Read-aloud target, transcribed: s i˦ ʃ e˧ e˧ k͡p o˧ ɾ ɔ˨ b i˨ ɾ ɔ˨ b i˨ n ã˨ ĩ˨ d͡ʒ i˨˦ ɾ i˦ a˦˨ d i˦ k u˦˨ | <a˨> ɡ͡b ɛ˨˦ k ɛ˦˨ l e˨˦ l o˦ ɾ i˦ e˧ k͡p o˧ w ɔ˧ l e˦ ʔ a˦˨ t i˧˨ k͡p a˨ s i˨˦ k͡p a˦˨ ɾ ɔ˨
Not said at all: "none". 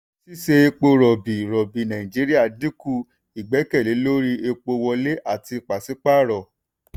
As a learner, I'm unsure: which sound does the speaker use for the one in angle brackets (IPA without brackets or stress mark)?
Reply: i˨